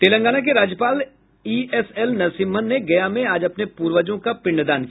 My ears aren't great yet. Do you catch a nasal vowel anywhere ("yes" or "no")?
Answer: yes